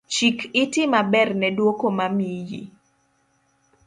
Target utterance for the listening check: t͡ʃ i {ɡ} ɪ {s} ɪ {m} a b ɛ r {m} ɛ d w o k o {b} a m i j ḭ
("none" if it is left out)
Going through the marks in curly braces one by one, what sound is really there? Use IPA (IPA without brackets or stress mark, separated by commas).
k, t, m, n, m